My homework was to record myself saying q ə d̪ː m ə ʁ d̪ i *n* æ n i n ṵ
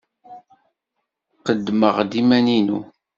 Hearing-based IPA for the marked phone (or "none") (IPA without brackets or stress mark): m